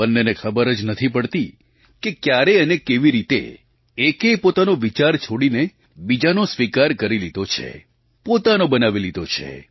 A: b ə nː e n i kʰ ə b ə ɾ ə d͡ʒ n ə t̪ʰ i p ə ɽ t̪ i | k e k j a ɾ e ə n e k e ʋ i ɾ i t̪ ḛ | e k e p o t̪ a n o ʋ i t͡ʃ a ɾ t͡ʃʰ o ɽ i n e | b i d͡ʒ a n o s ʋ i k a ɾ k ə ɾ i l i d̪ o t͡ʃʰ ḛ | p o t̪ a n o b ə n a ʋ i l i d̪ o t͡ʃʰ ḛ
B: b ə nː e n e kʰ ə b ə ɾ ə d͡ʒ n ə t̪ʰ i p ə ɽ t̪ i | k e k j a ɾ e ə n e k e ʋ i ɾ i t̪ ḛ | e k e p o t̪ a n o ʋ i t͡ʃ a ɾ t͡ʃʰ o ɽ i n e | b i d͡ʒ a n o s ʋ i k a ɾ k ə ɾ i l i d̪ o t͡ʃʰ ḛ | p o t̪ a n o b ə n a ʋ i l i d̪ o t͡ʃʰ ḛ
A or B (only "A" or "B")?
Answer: B